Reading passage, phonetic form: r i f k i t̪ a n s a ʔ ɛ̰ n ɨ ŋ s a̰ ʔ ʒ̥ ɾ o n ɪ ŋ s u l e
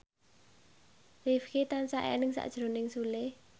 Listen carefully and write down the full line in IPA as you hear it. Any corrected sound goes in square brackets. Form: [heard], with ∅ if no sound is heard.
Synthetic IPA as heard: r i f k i t̪ a n s a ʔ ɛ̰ n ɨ ŋ s a̰ ʔ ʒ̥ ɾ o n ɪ ŋ s u l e